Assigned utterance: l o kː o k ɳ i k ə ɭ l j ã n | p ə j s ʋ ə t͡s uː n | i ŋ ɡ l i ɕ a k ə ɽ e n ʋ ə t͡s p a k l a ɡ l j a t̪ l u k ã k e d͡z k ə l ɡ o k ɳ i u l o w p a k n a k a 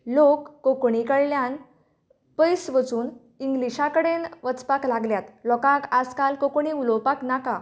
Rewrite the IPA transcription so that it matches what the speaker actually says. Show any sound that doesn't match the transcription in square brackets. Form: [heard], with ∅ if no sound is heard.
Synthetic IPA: l o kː o k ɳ i k ə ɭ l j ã n | p ə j s ʋ ə t͡s uː n | i ŋ ɡ l i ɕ a k ə ɽ e n ʋ ə t͡s p a k l a ɡ l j a t̪ l [ɔ] k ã k [a] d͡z k [a] l [k] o k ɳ i u l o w p a k n a k a